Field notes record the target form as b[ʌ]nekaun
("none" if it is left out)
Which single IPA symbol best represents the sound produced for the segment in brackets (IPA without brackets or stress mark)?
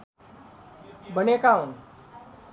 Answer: ə